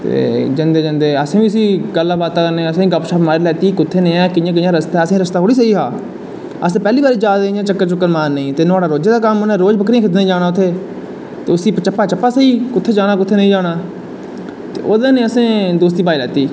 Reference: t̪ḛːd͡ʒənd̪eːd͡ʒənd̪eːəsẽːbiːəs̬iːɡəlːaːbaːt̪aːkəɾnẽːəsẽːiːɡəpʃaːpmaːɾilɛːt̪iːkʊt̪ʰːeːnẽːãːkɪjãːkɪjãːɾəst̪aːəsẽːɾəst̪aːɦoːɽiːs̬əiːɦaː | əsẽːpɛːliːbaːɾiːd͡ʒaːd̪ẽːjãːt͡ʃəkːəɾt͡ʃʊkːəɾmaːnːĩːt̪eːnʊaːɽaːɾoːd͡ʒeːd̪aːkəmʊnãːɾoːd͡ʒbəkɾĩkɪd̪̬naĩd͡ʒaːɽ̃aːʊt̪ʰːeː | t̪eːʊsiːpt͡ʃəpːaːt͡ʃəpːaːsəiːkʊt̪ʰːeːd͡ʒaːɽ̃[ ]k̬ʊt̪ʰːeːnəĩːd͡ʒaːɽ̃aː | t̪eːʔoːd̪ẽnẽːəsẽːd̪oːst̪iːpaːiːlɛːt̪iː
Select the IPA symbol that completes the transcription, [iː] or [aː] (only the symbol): aː